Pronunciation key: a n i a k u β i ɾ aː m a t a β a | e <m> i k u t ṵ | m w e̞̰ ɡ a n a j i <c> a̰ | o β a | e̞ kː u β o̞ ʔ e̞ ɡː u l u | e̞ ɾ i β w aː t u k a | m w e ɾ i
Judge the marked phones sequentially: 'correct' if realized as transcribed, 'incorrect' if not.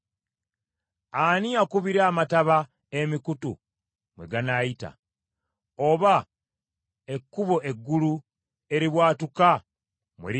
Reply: correct, incorrect

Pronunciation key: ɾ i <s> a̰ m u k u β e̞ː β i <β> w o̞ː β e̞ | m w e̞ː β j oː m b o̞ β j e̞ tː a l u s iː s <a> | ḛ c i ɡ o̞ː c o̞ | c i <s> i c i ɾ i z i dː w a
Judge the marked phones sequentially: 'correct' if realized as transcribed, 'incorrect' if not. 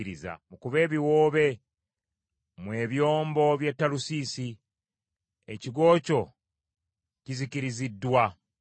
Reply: incorrect, incorrect, incorrect, incorrect

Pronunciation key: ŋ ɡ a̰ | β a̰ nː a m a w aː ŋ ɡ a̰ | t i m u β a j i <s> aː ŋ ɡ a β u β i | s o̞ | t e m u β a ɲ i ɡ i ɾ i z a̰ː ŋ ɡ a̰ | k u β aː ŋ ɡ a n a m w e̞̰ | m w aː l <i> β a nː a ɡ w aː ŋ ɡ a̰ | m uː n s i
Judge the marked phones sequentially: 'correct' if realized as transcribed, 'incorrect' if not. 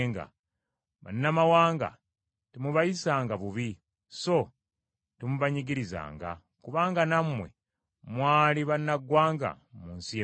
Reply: correct, correct

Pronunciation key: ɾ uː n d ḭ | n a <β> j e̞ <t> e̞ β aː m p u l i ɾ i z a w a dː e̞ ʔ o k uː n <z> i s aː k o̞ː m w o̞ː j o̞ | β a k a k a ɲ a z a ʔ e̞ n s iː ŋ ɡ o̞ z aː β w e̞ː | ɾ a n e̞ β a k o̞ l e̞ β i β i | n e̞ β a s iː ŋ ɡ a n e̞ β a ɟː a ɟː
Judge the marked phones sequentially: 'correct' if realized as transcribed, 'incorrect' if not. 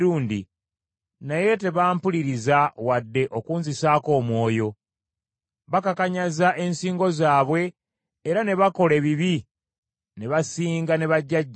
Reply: incorrect, correct, correct

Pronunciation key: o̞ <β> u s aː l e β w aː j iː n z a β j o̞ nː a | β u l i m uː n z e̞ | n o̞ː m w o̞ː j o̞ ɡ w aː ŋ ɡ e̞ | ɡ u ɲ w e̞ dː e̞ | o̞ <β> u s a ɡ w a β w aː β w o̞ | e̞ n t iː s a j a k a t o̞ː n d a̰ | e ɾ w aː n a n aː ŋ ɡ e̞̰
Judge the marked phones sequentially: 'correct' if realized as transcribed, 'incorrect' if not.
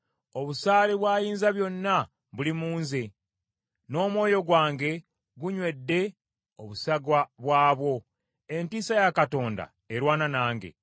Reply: correct, correct

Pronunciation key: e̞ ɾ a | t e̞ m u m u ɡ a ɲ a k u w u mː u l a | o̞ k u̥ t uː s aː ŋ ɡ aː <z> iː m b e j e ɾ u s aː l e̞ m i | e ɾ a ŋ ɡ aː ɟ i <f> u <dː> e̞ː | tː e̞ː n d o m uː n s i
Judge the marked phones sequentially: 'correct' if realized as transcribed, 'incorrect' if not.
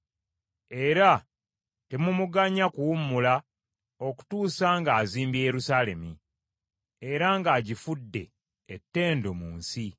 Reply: correct, correct, correct

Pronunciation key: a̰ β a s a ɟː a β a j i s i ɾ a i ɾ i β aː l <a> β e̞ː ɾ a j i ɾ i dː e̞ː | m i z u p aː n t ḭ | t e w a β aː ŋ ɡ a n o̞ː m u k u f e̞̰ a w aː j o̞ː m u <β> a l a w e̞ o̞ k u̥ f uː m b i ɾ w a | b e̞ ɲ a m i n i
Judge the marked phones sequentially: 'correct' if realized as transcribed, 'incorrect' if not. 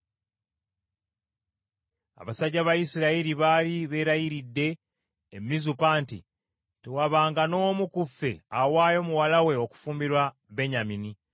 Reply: incorrect, incorrect

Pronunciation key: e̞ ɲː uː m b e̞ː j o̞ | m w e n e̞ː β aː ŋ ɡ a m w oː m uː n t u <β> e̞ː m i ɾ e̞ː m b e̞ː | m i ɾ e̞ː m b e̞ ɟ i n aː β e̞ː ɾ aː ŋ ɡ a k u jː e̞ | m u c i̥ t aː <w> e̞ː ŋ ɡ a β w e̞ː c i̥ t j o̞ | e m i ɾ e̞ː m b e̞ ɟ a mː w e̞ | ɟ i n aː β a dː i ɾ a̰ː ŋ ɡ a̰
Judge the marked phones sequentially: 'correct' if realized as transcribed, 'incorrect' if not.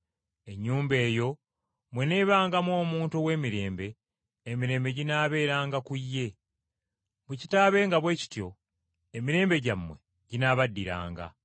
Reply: incorrect, incorrect

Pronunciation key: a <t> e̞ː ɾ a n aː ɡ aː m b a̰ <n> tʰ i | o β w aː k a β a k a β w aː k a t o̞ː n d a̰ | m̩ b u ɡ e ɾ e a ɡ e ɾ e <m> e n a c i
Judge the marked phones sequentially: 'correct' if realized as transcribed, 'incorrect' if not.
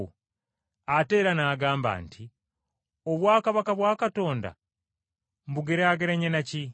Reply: correct, correct, incorrect

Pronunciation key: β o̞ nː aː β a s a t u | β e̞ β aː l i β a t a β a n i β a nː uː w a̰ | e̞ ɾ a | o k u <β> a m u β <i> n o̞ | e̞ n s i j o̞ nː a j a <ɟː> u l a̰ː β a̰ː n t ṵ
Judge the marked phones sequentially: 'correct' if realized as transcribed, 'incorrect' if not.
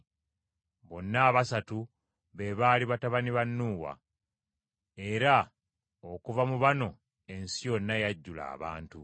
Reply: incorrect, incorrect, correct

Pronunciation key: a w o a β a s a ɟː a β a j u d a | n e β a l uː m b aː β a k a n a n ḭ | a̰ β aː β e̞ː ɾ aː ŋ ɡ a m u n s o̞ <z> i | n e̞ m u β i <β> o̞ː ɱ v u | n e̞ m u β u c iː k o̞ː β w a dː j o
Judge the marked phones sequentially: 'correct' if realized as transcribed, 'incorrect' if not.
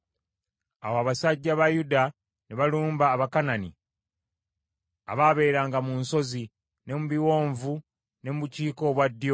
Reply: correct, incorrect

